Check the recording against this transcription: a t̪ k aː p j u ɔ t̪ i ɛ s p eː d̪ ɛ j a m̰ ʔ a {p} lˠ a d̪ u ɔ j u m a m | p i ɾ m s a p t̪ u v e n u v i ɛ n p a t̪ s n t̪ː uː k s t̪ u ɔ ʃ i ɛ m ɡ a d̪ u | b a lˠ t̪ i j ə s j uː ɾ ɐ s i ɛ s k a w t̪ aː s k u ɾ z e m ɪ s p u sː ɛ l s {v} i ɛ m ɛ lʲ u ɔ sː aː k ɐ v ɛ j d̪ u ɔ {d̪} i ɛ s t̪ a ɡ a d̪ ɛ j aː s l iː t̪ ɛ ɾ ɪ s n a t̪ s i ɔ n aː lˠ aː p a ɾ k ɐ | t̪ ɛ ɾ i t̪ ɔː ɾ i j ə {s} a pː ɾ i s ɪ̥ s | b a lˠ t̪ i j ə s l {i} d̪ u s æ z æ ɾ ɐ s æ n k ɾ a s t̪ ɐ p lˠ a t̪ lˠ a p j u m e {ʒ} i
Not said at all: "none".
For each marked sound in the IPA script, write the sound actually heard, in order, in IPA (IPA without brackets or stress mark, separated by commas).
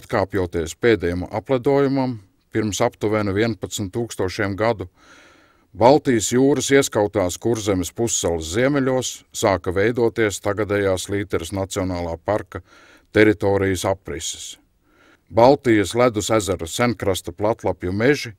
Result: p, z, t̪, s, æ, ʒ